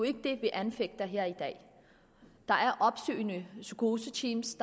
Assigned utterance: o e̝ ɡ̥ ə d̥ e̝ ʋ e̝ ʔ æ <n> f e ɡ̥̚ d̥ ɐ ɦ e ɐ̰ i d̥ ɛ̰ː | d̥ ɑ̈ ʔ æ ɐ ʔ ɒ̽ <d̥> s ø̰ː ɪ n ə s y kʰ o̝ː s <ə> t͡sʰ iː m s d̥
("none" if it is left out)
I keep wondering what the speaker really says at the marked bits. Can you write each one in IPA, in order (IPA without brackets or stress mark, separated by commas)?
n, b̥, ə